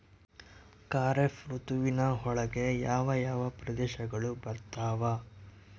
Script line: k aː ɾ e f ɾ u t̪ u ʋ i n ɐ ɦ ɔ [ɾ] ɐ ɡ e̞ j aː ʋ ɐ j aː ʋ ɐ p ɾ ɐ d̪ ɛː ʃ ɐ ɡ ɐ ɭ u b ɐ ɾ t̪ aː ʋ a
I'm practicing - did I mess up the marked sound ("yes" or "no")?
yes